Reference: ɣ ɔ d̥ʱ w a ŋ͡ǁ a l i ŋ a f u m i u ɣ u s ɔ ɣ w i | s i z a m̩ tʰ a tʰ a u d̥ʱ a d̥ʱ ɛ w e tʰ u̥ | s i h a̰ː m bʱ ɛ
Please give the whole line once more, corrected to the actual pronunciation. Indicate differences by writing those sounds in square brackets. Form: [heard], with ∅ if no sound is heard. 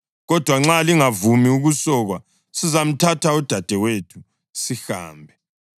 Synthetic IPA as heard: ɣ ɔ d̥ʱ w a ŋ͡ǁ a l i ŋ a [v] u m i u ɣ u s ɔ ɣ w [a] | s i z a m̩ tʰ a tʰ a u d̥ʱ a d̥ʱ ɛ w e tʰ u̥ | s i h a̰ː m bʱ ɛ

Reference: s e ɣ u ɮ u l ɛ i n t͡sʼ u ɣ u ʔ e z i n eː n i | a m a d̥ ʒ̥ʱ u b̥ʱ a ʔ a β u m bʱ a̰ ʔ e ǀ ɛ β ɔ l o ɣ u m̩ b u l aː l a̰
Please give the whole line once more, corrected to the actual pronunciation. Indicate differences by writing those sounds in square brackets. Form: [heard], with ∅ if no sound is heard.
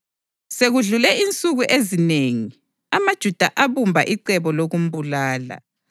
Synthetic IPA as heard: s e ɣ u ɮ u l ɛ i n t͡sʼ u ɣ u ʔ e z i n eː [ŋ] i | a m a d̥ ʒ̥ʱ u [d̥ʱ] a ʔ a β u m bʱ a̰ ʔ [i] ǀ ɛ β ɔ l o ɣ u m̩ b u l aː l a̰

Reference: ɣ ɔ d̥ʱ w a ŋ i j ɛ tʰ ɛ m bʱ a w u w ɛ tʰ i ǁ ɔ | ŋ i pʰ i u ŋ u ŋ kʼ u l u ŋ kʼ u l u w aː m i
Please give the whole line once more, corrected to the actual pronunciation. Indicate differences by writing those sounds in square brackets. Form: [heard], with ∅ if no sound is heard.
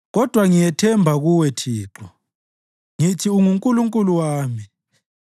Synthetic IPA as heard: ɣ ɔ d̥ʱ w a ŋ i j ɛ tʰ ɛ m bʱ a [ɣ] u w ɛ tʰ [iː] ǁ ɔ | ŋ i [tʰ] i u ŋ u ŋ kʼ u l u ŋ kʼ u l u w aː m i

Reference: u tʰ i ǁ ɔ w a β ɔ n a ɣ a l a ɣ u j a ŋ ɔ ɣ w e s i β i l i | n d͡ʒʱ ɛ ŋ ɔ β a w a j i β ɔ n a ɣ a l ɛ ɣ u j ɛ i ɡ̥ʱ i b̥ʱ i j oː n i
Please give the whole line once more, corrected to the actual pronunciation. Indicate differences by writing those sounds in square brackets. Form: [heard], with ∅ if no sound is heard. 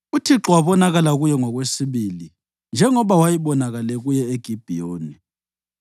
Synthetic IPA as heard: u tʰ i ǁ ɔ w a β ɔ n a ɣ a l a ɣ u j [ɛ] ŋ ɔ ɣ w e s i β i l i | n d͡ʒʱ ɛ ŋ ɔ β a w a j i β ɔ n a ɣ a l ɛ ɣ u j ɛ [e] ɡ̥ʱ i b̥ʱ i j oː n i

